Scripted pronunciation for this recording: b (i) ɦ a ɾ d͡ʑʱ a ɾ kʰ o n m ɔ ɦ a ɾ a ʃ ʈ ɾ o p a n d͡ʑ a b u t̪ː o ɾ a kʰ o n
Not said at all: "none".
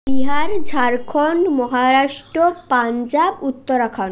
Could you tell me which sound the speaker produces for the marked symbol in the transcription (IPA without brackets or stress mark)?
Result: i